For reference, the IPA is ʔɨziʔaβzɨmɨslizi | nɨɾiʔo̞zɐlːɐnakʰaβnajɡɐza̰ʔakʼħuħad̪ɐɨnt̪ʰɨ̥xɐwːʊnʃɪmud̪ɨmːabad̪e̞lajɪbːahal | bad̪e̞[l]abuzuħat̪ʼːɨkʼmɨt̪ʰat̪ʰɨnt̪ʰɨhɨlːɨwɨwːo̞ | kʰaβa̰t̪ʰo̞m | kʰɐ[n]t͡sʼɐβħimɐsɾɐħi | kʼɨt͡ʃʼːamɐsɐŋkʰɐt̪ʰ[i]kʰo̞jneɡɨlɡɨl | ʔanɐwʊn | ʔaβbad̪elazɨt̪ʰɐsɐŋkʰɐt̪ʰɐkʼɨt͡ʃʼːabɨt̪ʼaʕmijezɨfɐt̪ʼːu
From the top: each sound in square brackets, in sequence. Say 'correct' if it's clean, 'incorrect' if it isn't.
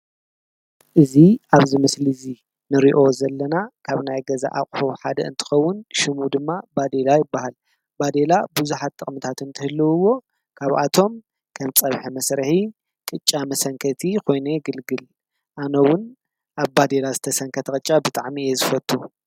correct, incorrect, correct

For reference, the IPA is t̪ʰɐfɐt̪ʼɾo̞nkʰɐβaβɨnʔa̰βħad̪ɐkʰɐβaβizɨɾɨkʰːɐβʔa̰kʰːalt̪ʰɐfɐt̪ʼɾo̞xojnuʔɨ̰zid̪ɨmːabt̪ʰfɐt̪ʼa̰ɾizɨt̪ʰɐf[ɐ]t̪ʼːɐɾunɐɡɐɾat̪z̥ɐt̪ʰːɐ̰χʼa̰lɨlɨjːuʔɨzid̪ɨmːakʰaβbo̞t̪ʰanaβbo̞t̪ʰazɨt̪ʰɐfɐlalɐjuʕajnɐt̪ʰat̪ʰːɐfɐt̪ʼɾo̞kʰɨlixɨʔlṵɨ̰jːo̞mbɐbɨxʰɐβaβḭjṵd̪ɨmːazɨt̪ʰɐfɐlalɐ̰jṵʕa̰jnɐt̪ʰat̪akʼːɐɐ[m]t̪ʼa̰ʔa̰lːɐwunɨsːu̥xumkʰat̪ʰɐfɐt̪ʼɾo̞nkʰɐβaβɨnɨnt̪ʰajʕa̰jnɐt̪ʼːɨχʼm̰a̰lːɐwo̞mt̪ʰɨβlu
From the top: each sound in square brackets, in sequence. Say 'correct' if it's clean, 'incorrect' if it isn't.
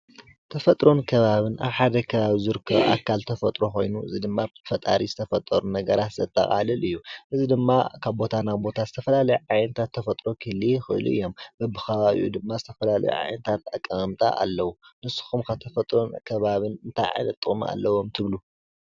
correct, correct

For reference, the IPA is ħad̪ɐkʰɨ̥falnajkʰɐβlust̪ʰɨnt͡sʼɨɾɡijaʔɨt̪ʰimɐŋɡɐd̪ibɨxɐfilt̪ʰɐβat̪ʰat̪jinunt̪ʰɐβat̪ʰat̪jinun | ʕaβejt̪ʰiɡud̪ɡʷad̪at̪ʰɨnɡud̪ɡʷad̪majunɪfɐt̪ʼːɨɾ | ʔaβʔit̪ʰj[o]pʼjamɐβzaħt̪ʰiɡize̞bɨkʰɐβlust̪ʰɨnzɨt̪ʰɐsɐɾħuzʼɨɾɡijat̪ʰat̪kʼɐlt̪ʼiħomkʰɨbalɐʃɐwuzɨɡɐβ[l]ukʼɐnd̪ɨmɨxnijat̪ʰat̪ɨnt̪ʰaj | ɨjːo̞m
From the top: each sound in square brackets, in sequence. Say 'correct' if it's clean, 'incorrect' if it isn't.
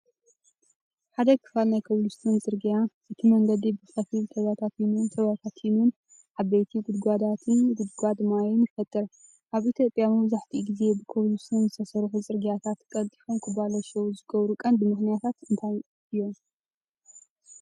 correct, incorrect

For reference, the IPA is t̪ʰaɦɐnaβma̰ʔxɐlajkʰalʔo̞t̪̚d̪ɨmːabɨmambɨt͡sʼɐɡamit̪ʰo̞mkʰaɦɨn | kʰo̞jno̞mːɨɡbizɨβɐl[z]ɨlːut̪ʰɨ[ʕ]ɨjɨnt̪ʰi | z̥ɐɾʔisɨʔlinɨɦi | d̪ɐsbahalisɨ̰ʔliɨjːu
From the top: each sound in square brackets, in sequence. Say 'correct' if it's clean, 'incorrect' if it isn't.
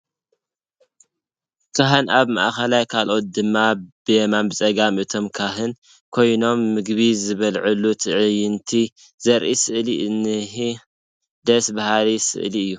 incorrect, correct

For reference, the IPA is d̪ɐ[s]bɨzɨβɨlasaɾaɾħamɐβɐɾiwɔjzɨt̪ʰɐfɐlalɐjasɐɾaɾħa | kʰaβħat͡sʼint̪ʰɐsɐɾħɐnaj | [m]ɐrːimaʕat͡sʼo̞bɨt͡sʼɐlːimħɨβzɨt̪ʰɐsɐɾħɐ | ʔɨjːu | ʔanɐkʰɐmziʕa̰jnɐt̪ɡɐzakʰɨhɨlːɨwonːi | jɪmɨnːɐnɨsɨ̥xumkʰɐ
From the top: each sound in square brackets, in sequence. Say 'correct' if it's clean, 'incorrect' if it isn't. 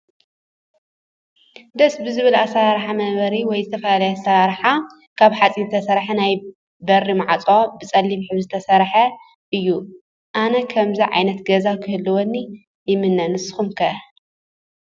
correct, incorrect

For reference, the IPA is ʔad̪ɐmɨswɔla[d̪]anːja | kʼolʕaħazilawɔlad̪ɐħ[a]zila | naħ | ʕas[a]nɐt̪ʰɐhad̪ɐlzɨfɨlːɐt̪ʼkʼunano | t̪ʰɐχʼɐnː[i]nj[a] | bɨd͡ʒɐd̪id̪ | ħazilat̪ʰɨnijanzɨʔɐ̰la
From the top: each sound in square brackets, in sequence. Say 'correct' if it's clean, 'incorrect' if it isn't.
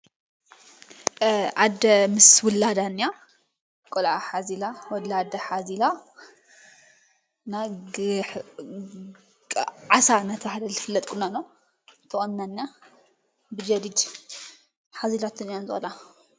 correct, correct, correct, incorrect, correct

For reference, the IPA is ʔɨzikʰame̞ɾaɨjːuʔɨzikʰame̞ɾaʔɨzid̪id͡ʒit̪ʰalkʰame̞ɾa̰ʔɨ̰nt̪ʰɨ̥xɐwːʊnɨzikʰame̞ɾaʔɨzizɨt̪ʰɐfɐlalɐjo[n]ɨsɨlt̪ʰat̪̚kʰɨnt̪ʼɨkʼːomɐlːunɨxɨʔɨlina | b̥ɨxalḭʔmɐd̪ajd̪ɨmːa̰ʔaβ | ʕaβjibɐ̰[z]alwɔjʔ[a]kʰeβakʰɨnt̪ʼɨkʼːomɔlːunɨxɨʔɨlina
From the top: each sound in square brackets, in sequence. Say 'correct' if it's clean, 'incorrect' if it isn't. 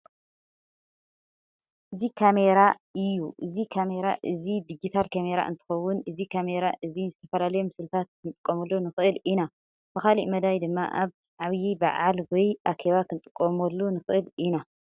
incorrect, incorrect, correct

